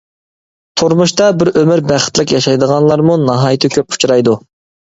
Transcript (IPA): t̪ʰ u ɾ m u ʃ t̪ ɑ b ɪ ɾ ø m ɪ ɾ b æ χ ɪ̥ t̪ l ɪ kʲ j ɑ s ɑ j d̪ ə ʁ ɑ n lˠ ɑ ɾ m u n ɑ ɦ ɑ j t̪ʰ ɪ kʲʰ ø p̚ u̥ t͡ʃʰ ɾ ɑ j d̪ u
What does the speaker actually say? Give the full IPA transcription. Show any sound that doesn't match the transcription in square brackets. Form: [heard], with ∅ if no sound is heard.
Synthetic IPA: t̪ʰ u ɾ m u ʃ t̪ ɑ b ɪ ɾ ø m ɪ ɾ b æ χ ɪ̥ t̪ l ɪ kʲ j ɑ [ʃ] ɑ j d̪ ə ʁ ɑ n lˠ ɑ ɾ m u n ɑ ɦ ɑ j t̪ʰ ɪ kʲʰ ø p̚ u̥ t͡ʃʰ ɾ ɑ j d̪ u